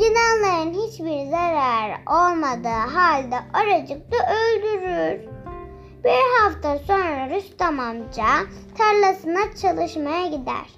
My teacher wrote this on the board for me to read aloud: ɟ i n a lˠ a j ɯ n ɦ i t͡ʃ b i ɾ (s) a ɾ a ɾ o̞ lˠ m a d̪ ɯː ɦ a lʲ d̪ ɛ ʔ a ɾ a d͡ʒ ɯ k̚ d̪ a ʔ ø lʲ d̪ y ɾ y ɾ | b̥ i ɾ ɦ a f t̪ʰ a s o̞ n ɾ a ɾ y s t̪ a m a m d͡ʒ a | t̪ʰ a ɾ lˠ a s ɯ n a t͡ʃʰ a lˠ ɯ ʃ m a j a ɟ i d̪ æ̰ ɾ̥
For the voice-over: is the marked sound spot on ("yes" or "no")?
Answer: no